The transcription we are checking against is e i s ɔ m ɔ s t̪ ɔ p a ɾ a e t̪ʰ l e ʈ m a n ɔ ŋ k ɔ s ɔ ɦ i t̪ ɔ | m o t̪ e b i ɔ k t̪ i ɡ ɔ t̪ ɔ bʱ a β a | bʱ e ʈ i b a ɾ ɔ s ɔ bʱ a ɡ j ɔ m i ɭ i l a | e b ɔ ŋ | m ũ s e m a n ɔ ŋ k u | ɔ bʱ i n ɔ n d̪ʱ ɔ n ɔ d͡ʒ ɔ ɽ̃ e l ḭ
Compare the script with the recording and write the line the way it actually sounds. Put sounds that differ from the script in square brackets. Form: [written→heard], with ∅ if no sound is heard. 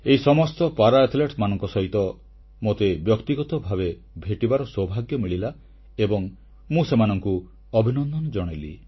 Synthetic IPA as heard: e i s ɔ m ɔ s t̪ ɔ p a ɾ a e t̪ʰ l e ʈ m a n ɔ ŋ k ɔ s ɔ ɦ i t̪ ɔ | m o t̪ e b [i→j] ɔ k t̪ i ɡ ɔ t̪ ɔ bʱ a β [a→e] | bʱ e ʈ i b a ɾ ɔ s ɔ bʱ a ɡ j ɔ m i ɭ i l a | e b ɔ ŋ | m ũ s e m a n ɔ ŋ k u | ɔ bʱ i n ɔ n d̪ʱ ɔ n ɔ d͡ʒ ɔ ɽ̃ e l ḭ